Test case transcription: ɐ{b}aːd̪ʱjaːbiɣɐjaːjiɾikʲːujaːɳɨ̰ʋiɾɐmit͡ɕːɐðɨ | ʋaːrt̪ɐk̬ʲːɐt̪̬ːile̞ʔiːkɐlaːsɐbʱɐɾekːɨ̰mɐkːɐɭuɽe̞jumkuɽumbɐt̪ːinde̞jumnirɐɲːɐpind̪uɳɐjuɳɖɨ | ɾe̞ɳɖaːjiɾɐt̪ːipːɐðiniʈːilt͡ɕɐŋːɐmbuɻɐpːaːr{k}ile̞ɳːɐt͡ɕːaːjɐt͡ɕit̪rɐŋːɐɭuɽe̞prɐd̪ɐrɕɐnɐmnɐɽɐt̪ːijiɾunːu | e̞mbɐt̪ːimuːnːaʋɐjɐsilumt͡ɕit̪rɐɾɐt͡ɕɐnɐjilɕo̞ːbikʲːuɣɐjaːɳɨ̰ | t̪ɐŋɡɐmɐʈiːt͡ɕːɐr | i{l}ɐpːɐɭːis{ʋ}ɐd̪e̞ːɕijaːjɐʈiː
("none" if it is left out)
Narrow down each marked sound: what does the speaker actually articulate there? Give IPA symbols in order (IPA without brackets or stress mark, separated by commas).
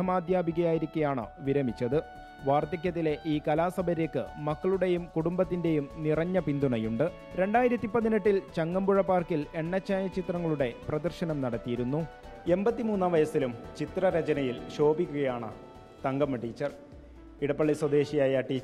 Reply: m, k, ɽ, w